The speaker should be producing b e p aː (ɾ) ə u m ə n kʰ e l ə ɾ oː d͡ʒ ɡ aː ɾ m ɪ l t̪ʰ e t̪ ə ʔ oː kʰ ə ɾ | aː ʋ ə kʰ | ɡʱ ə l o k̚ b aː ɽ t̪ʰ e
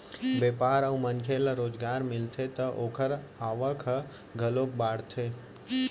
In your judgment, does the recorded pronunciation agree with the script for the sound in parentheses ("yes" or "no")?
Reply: yes